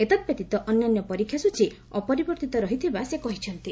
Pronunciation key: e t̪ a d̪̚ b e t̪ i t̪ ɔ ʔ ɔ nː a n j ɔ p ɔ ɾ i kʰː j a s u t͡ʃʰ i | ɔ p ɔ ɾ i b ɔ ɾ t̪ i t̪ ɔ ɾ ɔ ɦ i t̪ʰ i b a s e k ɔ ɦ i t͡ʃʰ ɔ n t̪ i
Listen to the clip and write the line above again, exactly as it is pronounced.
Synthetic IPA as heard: e t̪ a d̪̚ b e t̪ i t̪ ɔ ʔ ɔ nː a n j ɔ p ɔ ɾ i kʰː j a s u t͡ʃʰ i | ɔ p ɔ ɾ i b ɔ ɾ t̪ i t̪ ɔ ɾ ɔ ɦ i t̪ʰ i b a s e k ɔ ɦ i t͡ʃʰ ɔ n t̪ i